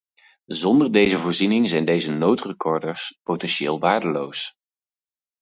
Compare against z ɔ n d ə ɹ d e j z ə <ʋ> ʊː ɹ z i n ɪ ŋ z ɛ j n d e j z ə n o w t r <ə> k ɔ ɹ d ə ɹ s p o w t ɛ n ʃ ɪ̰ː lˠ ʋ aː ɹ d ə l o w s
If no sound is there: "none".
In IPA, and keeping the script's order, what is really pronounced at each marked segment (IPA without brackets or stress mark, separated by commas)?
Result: v, ə